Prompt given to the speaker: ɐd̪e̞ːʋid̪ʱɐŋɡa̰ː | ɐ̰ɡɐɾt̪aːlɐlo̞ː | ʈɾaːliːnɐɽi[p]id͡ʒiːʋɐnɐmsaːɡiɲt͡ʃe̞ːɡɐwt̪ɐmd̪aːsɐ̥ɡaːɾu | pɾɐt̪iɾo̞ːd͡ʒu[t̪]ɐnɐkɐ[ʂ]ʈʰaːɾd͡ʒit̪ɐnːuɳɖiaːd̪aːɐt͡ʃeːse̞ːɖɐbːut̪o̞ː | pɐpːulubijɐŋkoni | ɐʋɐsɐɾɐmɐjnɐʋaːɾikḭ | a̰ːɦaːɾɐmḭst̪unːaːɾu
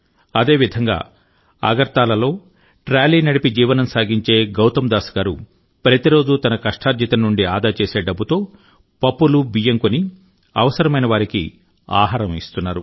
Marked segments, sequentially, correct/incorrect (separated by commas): correct, correct, correct